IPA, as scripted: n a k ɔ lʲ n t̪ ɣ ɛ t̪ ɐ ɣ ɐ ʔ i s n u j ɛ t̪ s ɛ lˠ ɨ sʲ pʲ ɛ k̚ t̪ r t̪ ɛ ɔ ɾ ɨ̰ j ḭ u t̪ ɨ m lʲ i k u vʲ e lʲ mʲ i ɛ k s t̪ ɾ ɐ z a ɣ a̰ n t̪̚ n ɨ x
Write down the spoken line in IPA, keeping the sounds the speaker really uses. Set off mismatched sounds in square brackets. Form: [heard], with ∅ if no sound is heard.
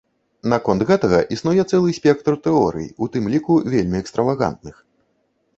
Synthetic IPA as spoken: n a k ɔ [∅] n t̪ ɣ ɛ t̪ ɐ ɣ ɐ ʔ i s n u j ɛ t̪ s ɛ lˠ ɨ sʲ pʲ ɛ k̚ t̪ r t̪ ɛ ɔ ɾ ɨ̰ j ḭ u t̪ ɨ m lʲ i k u vʲ e lʲ mʲ i ɛ k s t̪ ɾ ɐ [v] a ɣ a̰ n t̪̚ n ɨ x